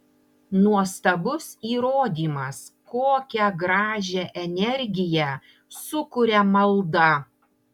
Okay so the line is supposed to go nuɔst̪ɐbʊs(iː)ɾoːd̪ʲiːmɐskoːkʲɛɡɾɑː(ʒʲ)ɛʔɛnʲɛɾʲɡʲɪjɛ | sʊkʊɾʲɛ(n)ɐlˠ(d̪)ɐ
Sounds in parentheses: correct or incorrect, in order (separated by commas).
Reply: correct, correct, incorrect, correct